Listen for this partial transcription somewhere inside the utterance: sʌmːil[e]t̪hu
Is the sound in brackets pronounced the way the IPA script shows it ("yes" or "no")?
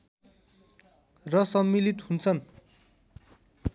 no